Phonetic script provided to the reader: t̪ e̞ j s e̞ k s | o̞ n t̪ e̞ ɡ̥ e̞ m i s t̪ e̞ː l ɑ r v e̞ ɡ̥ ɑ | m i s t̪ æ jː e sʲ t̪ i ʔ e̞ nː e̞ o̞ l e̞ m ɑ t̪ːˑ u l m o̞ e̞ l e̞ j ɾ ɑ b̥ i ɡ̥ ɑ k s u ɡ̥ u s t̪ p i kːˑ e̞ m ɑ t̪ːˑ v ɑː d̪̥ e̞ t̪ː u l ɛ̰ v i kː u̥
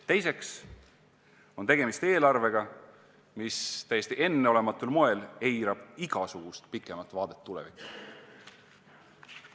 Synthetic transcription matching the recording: t̪ e̞ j s e̞ k s | o̞ n t̪ e̞ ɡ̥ e̞ m i s t̪ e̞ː l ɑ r v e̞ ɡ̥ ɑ | m i s t̪ æ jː e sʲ t̪ i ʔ e̞ nː e̞ o̞ l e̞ m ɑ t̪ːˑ u l m o̞ e̞ l e̞ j ɾ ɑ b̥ i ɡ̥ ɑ s u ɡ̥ u s t̪ p i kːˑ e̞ m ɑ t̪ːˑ v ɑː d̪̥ e̞ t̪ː u l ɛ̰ v i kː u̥